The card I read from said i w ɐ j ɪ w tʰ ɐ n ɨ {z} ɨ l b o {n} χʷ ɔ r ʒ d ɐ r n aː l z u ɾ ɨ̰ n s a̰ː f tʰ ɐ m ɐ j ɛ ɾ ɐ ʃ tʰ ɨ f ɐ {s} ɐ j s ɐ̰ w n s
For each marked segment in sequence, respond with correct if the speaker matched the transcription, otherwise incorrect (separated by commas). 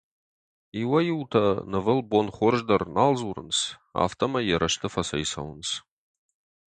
incorrect, correct, correct